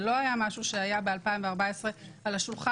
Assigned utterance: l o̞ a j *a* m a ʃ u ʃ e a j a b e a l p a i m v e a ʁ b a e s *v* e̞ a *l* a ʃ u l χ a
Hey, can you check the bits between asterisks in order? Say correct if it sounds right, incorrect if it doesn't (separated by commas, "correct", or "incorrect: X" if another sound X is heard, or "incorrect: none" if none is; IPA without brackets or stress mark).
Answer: correct, incorrect: ʁ, correct